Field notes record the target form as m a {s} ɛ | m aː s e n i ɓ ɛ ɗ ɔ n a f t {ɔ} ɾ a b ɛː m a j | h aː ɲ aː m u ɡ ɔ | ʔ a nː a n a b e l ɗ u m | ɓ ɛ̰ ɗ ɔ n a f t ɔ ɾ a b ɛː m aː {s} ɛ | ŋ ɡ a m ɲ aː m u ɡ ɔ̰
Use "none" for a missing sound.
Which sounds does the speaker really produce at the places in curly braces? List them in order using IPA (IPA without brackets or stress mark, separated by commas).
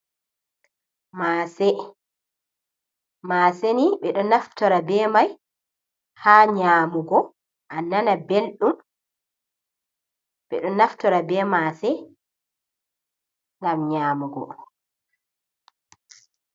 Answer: s, ɔ, s